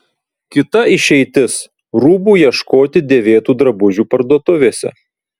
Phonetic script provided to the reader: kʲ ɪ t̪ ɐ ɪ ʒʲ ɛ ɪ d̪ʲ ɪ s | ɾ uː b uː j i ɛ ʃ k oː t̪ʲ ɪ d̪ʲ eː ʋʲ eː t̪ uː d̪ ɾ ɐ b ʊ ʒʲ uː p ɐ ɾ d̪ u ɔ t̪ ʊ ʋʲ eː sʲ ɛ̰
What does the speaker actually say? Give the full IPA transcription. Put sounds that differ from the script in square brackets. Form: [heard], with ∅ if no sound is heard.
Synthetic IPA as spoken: kʲ ɪ t̪ ɐ ɪ [ʃʲ] ɛ ɪ [t̪ʲ] ɪ s | ɾ uː b uː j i ɛ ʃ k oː t̪ʲ ɪ d̪ʲ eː ʋʲ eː t̪ uː d̪ ɾ ɐ b ʊ ʒʲ uː p ɐ ɾ d̪ u ɔ t̪ ʊ ʋʲ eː sʲ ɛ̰